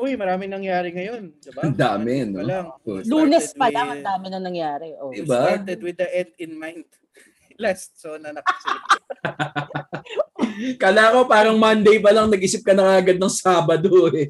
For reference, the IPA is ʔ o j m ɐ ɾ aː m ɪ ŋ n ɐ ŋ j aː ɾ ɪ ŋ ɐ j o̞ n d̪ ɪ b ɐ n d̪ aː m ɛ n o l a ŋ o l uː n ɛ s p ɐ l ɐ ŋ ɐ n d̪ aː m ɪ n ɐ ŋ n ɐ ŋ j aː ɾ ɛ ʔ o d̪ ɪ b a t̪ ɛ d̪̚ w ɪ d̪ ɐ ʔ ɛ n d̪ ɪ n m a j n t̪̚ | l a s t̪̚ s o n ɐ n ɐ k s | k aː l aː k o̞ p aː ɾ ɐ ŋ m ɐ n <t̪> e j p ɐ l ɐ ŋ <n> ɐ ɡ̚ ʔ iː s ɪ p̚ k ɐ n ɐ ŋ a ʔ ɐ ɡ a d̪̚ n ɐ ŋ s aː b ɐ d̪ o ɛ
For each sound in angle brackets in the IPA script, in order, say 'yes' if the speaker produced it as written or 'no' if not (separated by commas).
no, yes